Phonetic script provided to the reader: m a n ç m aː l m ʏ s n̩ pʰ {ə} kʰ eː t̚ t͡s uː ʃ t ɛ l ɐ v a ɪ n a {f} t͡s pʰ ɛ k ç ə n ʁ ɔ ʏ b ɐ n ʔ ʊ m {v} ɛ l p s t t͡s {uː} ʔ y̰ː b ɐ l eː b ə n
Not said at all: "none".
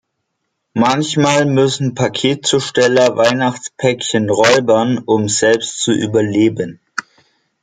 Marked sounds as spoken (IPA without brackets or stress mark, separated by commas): a, χ, z, u